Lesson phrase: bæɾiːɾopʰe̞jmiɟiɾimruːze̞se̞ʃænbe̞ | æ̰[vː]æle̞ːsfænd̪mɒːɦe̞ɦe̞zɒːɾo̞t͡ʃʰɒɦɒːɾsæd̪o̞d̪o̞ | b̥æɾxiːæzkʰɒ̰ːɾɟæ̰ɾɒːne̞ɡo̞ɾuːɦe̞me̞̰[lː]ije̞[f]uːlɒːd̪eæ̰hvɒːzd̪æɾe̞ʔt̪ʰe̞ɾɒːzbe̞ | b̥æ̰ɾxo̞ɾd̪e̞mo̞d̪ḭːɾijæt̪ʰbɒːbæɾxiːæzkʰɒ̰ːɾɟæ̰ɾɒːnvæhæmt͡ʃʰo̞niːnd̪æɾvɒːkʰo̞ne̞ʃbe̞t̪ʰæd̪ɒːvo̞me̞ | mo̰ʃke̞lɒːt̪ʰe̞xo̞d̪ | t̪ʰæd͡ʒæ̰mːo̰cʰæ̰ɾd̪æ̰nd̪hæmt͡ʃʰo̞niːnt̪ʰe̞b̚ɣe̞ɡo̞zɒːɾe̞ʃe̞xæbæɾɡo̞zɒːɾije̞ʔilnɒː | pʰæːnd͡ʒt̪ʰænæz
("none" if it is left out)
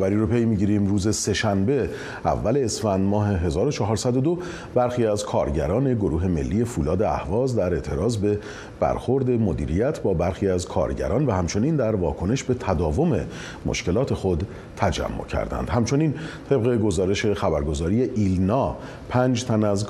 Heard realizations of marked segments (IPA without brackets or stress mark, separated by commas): vː, lː, f